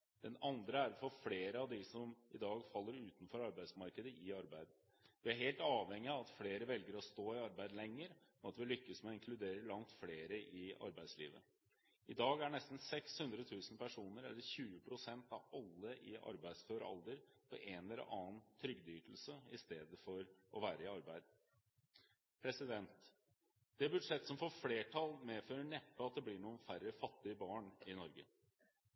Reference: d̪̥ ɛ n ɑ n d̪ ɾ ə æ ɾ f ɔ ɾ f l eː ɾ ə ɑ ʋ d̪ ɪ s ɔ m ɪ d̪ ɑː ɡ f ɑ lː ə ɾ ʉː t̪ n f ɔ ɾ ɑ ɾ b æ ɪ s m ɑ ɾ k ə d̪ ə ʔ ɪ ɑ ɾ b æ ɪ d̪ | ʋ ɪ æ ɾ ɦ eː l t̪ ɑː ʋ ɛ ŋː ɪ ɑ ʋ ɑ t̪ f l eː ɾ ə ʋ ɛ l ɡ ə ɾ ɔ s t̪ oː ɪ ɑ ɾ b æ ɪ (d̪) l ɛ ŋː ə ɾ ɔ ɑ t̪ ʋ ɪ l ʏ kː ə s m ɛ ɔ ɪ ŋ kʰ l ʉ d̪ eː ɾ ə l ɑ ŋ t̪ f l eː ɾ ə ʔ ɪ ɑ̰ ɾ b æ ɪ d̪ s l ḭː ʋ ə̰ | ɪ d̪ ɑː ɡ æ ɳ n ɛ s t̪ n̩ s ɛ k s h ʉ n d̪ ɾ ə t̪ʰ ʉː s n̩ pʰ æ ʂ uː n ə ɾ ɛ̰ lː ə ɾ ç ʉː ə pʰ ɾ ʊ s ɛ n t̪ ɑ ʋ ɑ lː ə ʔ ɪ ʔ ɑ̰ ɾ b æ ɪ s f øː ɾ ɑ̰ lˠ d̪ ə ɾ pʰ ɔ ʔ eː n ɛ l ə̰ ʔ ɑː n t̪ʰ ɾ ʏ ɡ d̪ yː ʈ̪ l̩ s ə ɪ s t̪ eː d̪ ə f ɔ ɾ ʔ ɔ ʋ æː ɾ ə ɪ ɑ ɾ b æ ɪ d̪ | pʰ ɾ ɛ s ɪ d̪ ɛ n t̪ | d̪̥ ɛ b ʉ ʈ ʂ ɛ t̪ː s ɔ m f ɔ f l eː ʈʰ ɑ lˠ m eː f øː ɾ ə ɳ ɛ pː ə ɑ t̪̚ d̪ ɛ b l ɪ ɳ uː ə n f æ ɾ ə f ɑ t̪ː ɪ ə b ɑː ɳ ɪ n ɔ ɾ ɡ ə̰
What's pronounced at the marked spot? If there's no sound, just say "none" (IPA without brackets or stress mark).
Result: d̪